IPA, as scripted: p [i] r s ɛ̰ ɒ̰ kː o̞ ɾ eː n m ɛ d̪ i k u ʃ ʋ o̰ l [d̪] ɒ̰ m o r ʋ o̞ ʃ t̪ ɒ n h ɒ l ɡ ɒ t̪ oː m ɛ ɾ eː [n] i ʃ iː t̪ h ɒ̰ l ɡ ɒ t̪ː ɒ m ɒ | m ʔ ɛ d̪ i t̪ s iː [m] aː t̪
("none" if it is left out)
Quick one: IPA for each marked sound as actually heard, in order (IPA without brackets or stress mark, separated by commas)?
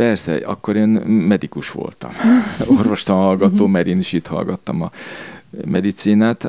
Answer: ɛ, t̪, n, n